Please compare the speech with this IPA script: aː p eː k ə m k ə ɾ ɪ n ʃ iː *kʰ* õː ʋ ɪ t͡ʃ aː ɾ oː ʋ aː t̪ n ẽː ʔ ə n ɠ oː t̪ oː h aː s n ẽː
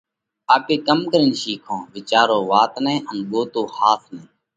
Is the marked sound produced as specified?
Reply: yes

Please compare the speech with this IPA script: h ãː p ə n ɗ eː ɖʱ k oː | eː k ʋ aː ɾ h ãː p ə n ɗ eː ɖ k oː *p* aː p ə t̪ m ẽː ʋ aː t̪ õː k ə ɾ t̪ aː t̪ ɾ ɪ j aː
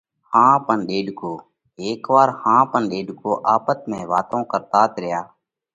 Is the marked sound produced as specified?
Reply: no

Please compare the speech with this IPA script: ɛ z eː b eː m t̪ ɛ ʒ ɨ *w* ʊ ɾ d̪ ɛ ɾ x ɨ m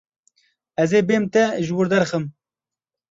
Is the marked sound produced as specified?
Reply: yes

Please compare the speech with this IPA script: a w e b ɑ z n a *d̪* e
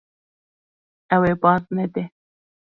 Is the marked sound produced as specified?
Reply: yes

